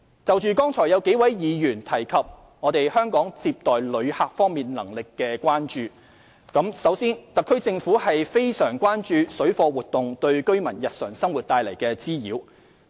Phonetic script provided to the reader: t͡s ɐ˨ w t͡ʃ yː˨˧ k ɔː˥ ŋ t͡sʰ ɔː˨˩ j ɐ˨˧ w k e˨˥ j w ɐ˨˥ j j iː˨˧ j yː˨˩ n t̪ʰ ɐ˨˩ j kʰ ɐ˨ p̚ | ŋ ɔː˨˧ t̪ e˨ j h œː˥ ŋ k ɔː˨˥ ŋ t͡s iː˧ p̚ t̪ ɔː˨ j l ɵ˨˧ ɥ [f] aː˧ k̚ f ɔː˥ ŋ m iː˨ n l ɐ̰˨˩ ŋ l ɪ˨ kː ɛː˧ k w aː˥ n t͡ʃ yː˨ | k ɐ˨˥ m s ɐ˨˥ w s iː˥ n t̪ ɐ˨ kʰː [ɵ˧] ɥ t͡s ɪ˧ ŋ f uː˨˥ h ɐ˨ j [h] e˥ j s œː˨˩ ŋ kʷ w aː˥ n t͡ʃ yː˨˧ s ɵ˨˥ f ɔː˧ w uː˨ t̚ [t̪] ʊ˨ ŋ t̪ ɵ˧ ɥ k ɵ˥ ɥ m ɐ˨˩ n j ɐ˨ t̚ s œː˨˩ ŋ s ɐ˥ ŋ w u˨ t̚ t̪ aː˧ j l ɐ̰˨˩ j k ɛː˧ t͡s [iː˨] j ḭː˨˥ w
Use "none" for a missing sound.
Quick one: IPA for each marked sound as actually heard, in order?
h, ɵ˥, f, t̪, iː˥

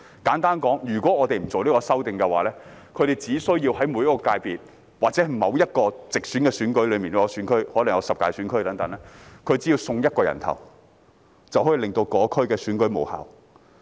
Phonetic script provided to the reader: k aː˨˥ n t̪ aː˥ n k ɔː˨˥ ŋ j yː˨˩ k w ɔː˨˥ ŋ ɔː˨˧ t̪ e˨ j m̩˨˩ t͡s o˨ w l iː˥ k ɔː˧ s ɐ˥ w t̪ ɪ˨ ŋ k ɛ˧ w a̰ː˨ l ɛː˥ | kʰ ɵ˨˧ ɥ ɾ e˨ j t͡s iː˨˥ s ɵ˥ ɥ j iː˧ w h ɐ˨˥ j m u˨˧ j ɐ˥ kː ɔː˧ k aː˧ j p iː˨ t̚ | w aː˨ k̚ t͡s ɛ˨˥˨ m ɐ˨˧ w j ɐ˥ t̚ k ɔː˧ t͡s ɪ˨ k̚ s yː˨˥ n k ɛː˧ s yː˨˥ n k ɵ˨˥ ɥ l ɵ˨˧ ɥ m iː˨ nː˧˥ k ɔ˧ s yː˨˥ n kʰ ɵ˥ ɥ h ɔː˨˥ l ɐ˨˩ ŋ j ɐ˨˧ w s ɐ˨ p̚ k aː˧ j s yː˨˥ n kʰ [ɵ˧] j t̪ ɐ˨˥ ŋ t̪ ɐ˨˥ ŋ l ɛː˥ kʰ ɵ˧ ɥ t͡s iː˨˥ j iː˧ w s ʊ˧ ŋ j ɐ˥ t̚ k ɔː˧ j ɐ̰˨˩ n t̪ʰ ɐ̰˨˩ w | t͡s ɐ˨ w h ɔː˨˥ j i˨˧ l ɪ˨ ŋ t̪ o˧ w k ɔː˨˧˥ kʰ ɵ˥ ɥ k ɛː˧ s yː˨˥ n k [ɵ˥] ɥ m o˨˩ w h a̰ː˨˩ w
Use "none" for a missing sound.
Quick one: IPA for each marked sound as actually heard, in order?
ɵ˥, ɵ˨˥

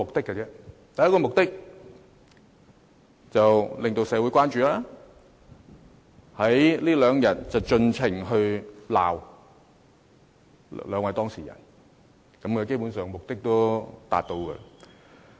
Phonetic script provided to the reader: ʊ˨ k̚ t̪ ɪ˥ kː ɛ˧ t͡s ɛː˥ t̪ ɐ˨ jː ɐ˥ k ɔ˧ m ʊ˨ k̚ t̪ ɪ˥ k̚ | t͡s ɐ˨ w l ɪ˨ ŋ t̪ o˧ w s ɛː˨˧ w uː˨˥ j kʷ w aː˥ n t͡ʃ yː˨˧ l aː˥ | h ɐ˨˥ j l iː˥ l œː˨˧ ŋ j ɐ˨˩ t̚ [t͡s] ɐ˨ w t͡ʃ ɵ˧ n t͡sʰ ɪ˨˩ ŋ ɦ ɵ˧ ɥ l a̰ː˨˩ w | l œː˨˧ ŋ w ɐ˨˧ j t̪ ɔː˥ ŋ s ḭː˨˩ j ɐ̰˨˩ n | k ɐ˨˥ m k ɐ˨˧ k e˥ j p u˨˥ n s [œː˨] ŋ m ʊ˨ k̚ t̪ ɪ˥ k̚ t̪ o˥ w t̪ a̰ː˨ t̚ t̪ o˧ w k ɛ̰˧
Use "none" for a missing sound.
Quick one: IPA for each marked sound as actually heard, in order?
t͡s, œː˨

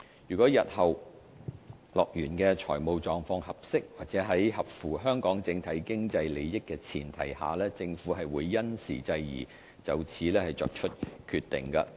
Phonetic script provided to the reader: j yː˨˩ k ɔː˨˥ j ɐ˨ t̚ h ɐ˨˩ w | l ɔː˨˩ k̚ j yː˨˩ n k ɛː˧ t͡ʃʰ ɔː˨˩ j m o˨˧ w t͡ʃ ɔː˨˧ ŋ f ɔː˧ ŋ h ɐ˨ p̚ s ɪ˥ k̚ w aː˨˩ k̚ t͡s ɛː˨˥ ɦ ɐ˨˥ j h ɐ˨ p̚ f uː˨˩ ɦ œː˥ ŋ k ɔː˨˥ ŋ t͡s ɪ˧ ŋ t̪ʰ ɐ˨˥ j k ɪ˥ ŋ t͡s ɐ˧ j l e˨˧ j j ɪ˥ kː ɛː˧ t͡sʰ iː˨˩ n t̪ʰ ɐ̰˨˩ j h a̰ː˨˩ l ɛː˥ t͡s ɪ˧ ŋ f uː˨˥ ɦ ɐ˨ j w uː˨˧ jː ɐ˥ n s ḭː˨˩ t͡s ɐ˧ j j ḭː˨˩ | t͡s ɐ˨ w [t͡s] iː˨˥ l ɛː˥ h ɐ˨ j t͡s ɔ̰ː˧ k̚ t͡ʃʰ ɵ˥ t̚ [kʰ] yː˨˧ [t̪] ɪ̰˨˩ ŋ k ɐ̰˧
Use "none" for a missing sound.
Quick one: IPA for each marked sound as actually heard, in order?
t͡sʰ, kʰ, t̪

